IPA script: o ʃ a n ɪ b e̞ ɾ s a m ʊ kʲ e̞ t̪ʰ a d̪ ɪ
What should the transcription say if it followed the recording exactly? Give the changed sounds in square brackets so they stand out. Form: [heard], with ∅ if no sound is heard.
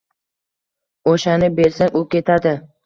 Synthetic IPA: o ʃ a n ɪ b e̞ ɾ s a [ŋ] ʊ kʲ e̞ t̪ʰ a d̪ ɪ